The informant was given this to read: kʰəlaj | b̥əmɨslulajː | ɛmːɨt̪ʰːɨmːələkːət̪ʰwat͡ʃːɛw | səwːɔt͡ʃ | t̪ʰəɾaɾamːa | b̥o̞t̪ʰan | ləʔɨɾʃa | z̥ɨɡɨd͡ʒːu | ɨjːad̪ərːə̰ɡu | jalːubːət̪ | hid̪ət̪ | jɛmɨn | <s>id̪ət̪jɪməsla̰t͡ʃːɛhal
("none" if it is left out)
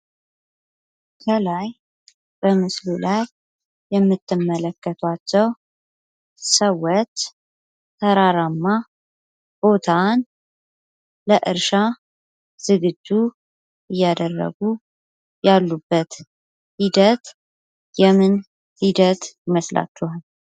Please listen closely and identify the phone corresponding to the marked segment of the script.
h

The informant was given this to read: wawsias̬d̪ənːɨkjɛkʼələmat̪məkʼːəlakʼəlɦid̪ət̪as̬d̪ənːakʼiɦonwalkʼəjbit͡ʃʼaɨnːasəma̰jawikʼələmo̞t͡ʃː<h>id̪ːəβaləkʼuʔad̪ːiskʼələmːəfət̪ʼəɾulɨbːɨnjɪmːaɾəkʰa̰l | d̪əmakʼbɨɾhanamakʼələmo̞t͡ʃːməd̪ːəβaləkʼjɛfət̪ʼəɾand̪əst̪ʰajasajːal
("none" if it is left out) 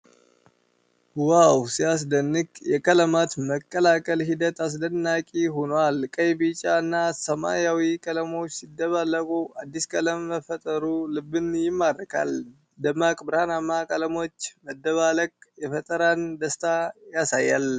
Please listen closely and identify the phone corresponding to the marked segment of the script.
s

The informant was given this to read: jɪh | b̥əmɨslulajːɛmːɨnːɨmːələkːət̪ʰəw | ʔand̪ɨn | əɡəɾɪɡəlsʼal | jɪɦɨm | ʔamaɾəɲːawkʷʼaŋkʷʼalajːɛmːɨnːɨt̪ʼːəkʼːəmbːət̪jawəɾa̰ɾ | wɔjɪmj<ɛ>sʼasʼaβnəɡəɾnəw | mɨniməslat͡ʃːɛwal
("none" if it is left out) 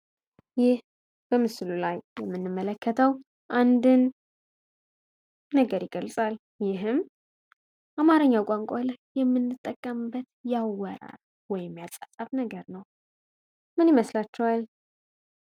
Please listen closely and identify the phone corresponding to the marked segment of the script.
a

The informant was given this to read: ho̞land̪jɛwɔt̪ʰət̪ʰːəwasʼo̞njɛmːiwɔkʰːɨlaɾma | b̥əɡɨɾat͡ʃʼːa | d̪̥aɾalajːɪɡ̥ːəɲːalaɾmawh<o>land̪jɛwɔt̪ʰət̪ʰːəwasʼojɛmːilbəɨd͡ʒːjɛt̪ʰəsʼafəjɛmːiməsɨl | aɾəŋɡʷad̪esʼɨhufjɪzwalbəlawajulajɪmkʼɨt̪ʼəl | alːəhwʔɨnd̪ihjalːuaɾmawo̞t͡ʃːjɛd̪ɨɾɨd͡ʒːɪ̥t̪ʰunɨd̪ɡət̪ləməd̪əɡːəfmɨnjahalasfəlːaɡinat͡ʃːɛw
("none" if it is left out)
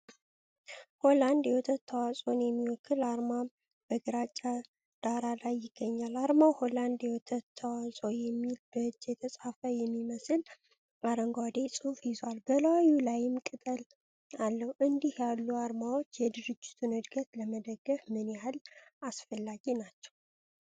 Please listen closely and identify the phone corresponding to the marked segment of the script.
o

